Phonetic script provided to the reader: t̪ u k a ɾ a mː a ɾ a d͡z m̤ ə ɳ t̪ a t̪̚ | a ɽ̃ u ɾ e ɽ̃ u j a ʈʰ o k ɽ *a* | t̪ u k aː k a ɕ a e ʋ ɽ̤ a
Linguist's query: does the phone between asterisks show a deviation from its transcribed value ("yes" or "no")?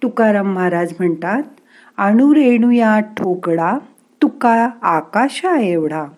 no